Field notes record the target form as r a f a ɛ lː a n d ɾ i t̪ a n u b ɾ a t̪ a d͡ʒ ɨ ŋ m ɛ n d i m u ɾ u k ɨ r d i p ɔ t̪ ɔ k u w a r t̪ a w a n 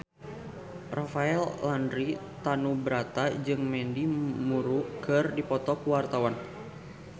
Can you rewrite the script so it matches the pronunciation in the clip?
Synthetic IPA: r a f a ɛ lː a n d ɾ i t̪ a n u b ɾ a t̪ a d͡ʒ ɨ ŋ m ɛ n d i m u ɾ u k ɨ r d i p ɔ t̪ ɔ k u w a r t̪ a w a n